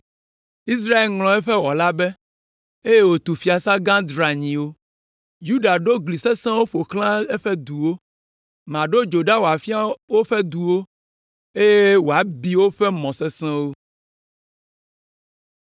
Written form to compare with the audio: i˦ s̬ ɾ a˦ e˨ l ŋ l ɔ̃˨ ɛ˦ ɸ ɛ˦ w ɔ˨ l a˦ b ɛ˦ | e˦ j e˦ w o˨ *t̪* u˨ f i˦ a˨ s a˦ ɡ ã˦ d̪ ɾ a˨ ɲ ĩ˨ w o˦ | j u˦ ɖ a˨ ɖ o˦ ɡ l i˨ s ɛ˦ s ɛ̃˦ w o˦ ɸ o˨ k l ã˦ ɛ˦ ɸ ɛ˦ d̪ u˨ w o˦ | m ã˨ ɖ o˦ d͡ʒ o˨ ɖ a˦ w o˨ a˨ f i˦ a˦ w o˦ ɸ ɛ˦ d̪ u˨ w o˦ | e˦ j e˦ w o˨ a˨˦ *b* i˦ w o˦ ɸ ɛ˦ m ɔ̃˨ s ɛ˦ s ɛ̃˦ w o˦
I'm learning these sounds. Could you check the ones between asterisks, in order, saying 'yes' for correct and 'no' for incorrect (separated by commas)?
yes, yes